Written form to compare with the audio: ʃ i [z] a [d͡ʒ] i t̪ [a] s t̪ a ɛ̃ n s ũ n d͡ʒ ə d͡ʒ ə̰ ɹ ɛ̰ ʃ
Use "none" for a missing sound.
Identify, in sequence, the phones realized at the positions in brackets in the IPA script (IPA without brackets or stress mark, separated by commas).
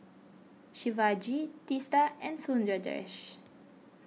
v, d͡ʒ, i